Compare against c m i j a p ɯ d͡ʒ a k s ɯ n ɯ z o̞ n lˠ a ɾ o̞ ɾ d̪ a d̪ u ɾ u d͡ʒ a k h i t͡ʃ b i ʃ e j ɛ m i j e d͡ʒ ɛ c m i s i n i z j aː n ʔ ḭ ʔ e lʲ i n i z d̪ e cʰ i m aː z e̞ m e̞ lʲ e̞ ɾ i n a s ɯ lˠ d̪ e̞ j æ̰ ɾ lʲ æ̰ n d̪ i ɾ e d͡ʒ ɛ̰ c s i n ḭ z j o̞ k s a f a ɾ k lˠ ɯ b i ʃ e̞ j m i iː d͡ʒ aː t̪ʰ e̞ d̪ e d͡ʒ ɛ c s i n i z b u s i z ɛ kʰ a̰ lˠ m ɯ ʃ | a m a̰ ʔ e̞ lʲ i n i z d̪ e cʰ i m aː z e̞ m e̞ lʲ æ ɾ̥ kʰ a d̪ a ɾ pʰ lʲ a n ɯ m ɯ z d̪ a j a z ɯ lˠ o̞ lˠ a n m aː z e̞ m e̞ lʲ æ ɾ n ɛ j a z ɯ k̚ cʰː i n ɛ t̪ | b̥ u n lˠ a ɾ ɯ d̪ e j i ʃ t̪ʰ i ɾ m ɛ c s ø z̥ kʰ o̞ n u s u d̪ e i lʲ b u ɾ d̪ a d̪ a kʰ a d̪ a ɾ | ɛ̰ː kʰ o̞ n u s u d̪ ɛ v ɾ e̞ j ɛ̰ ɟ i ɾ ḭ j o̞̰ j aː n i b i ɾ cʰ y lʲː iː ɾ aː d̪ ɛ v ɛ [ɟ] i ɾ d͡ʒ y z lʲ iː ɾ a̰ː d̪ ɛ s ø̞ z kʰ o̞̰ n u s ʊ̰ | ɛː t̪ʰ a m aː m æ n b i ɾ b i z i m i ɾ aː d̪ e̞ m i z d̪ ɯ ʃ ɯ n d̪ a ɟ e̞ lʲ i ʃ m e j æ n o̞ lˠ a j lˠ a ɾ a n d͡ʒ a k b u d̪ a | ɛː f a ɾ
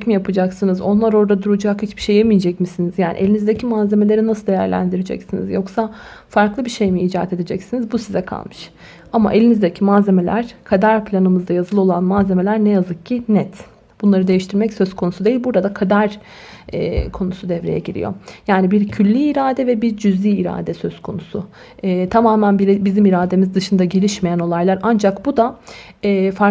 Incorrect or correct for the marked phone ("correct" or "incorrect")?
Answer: incorrect